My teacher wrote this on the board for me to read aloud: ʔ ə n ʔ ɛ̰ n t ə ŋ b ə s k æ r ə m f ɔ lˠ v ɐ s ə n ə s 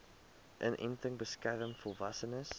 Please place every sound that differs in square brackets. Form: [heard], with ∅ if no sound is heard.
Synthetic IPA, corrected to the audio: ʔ ə n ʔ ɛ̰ n t ə ŋ b ə s k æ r ə m f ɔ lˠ v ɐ s ə n ə s